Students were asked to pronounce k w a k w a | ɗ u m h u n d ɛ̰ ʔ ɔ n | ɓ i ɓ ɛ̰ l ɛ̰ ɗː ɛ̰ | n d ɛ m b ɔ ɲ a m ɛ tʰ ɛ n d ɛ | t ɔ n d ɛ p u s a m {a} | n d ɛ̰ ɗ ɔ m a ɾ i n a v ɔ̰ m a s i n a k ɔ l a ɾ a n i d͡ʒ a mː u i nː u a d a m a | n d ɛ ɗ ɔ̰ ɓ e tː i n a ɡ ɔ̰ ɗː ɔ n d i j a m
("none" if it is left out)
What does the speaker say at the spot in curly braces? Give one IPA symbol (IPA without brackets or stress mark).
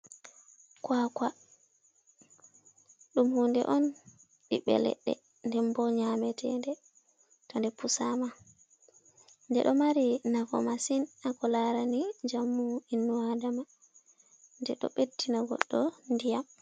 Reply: a